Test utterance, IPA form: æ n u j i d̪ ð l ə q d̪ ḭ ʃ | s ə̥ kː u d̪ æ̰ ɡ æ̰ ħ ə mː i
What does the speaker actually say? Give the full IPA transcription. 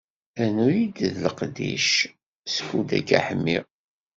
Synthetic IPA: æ n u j i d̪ ð l ə q d̪ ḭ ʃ | s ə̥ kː u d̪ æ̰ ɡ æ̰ ħ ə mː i